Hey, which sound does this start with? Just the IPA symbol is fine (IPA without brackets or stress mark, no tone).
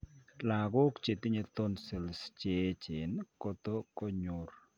l